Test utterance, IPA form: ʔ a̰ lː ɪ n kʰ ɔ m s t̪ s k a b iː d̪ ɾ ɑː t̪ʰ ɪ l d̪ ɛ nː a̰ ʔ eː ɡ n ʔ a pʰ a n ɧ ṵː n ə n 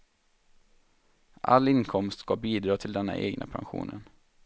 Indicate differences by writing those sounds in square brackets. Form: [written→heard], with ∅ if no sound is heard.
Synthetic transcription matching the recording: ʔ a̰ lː ɪ n kʰ ɔ m s t̪ s k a b iː d̪ ɾ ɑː t̪ʰ ɪ l d̪ ɛ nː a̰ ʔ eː ɡ n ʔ a pʰ a n ɧ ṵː n ə n